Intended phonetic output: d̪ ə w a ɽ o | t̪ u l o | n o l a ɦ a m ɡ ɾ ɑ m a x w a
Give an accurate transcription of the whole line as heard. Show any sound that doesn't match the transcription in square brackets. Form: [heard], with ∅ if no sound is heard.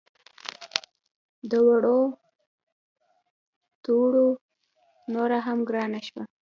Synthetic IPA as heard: d̪ ə w a ɽ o | t̪ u [ɽ] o | n o [ɾ] a ɦ a m ɡ ɾ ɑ [n] a [ʃ] w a